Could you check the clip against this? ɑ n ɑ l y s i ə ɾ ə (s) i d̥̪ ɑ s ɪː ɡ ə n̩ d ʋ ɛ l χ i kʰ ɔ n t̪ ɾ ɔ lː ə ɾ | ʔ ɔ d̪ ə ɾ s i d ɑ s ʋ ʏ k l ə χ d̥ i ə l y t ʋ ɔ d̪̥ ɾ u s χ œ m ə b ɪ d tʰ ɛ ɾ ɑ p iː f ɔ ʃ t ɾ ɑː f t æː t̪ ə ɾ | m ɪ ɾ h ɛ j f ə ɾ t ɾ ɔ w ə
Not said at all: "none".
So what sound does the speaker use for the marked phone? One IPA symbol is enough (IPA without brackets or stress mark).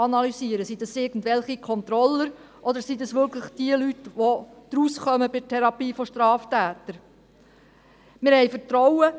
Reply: s